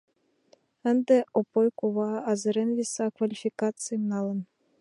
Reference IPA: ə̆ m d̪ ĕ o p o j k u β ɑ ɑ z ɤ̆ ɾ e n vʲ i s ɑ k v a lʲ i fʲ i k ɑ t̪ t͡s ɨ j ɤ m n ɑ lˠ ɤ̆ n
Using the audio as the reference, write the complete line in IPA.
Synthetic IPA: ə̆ n d̪ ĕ o p o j k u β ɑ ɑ z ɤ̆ ɾ e n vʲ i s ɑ k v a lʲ i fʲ i k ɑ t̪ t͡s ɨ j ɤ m n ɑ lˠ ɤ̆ n